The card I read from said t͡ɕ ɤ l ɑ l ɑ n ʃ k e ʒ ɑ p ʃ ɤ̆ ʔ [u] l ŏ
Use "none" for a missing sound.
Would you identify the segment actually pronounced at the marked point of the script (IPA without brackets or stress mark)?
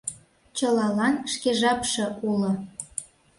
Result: u